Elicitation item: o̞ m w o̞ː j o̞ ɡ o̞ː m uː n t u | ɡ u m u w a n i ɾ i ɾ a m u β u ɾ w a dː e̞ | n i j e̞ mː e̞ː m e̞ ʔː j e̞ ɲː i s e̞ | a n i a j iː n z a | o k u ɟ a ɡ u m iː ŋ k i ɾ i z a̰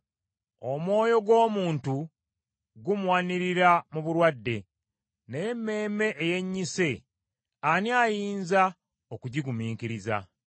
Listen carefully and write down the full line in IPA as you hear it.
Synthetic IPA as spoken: o̞ m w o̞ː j o̞ ɡ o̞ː m uː n t u | ɡ u m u w a n i ɾ i ɾ a m u β u ɾ w a dː e̞ | n e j e̞ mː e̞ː m e̞ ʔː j e̞ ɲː i s e̞ | a n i a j iː n z a | o k u ɟ i ɡ u m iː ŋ k i ɾ i z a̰